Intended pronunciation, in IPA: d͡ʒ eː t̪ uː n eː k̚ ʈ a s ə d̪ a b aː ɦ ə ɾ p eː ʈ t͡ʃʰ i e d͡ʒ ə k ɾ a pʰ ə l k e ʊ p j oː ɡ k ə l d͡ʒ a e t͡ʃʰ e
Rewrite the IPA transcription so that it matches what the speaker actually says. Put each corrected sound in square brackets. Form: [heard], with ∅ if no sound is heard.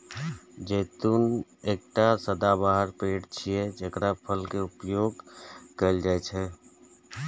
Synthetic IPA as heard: d͡ʒ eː t̪ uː n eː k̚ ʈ a s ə d̪ a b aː ɦ ə ɾ p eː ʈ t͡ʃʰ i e d͡ʒ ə k ɾ a pʰ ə l k e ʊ p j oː ɡ k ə l d͡ʒ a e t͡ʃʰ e